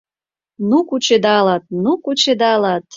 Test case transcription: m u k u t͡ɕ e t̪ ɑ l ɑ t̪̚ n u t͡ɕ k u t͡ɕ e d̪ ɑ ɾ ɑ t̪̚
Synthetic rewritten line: n u k u t͡ɕ e d̪ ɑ l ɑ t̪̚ n u k u t͡ɕ e d̪ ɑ l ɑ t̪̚